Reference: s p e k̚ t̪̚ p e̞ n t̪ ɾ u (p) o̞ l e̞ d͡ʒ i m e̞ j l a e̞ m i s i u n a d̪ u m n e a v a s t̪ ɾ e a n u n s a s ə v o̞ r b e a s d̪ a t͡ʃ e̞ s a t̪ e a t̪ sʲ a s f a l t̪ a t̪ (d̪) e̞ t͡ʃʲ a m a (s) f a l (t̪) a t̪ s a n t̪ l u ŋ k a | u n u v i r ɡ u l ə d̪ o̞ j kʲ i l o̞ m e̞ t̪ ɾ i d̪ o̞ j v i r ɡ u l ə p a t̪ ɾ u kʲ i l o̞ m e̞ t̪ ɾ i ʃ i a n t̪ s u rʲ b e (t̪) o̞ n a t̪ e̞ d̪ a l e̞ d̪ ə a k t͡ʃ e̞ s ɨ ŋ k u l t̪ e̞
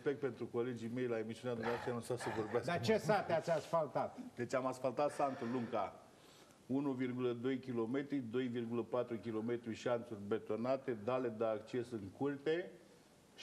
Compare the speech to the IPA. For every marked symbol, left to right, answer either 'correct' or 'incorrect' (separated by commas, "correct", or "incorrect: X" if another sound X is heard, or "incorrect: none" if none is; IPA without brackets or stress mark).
incorrect: k, correct, correct, correct, correct